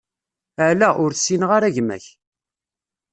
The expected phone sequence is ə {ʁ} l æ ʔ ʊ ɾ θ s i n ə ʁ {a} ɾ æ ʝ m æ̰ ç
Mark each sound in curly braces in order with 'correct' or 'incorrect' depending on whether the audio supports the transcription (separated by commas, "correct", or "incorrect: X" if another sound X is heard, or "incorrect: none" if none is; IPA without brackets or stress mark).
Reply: incorrect: ʕ, correct